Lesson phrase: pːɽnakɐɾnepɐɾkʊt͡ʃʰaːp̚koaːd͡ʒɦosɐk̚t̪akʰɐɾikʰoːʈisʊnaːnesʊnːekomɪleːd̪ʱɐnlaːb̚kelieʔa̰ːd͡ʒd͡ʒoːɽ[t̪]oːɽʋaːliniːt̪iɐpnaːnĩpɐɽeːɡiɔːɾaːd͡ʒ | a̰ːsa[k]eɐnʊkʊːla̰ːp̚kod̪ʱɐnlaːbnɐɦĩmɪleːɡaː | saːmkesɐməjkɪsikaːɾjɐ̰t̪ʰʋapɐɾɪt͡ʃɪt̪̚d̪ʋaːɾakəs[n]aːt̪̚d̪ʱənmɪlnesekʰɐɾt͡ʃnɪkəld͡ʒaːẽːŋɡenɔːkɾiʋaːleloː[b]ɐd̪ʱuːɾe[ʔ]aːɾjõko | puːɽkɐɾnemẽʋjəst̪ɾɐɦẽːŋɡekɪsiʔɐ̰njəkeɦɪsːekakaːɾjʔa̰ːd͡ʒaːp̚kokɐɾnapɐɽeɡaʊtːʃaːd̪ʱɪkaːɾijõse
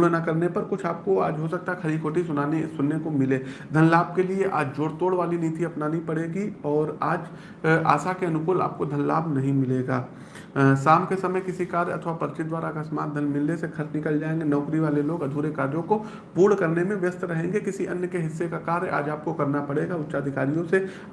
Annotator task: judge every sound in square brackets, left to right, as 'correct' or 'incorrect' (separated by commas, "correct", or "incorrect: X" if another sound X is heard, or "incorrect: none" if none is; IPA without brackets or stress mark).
correct, correct, incorrect: m, incorrect: ɡ, incorrect: k